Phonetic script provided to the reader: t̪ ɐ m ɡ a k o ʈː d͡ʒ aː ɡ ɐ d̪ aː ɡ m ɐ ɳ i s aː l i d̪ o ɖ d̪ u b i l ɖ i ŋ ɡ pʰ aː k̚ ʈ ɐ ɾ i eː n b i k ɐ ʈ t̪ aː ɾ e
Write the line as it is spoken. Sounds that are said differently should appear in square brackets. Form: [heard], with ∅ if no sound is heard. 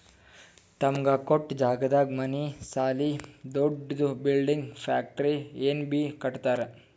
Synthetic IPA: t̪ ɐ m ɡ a k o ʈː d͡ʒ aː ɡ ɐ d̪ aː ɡ m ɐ [n] i s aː l i d̪ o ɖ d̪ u b i l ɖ i ŋ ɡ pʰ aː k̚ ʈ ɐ ɾ i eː n b i k ɐ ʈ t̪ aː ɾ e